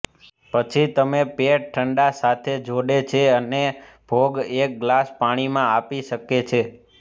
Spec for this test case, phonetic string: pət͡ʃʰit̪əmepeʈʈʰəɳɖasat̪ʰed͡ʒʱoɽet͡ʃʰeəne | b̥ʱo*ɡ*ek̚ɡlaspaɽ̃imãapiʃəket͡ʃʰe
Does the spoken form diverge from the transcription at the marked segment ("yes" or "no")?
no